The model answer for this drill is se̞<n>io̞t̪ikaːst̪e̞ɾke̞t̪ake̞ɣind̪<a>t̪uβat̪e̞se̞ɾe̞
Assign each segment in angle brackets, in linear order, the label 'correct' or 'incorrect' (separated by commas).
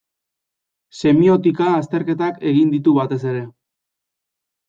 incorrect, incorrect